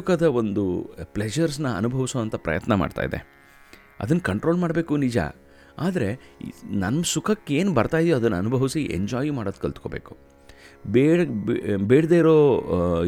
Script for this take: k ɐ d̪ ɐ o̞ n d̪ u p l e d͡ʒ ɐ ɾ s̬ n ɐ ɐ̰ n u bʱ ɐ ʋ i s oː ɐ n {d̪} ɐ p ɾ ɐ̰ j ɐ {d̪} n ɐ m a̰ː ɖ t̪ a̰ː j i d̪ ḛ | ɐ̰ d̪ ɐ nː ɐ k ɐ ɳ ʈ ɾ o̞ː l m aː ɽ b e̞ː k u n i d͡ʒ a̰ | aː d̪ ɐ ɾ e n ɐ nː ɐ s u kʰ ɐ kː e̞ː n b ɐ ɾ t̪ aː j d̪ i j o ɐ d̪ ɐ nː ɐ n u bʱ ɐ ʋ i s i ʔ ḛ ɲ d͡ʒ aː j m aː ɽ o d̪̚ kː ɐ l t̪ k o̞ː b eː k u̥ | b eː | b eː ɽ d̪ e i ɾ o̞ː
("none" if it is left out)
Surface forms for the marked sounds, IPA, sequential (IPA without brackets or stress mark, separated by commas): t̪, t̪